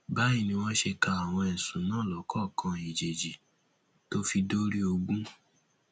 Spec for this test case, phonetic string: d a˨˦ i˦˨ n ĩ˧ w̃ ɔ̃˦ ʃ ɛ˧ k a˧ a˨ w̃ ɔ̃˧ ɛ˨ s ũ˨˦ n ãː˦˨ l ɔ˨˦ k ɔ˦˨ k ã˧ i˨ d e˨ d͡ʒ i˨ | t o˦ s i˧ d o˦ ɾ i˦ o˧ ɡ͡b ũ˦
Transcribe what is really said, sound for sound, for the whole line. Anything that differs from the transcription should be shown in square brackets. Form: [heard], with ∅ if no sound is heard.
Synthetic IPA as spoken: [b] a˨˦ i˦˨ n ĩ˧ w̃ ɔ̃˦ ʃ [e˧] k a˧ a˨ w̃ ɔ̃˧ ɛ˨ s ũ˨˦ n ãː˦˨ l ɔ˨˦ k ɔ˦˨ k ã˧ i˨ [d͡ʒ] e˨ d͡ʒ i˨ | t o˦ [f] i˧ d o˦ ɾ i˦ o˧ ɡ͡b ũ˦